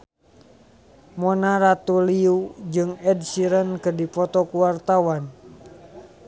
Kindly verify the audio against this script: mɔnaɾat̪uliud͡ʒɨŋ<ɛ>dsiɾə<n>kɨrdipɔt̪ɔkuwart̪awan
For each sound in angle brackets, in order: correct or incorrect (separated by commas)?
correct, correct